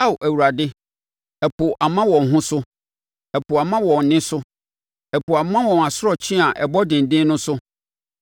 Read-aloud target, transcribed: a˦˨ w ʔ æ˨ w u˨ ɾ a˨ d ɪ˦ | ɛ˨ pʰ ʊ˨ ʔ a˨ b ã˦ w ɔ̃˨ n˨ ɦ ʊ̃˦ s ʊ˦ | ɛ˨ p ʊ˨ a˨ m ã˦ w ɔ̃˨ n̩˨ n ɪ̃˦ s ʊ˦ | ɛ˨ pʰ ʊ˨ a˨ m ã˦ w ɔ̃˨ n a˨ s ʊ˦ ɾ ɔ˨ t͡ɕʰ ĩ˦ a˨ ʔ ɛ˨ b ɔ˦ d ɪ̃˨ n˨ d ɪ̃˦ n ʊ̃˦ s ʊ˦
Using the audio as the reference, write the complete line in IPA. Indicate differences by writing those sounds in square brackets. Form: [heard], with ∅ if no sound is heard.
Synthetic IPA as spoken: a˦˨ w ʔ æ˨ w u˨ ɾ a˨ d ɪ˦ | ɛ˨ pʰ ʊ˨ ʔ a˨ [m] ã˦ w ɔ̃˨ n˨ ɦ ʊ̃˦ s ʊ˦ | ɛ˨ p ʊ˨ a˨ m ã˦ w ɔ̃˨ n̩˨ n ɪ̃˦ s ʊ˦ | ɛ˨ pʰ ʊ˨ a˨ m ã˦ w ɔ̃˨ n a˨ s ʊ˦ ɾ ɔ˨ t͡ɕʰ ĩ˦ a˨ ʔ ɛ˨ b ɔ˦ d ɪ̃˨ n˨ d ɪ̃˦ n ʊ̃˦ s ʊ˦